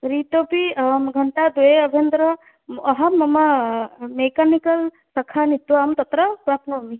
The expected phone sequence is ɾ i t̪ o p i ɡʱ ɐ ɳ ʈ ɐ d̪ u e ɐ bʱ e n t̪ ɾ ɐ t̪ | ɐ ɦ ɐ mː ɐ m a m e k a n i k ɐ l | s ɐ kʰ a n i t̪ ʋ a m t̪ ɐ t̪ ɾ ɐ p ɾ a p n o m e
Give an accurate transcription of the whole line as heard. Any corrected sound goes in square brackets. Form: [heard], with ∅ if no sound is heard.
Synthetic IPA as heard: ɾ i t̪ o p i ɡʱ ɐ ɳ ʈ [a] d̪ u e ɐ bʱ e n [d̪] ɾ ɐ [∅] | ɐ ɦ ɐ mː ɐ m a m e k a n i k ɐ l | s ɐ kʰ a n i t̪ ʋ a m t̪ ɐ t̪ ɾ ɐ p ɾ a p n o m [i]